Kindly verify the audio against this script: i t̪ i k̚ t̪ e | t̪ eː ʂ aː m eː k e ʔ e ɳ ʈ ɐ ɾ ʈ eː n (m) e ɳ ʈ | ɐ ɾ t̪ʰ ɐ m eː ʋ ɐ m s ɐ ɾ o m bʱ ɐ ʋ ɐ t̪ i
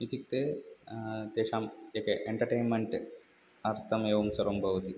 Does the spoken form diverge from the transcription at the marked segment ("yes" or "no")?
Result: no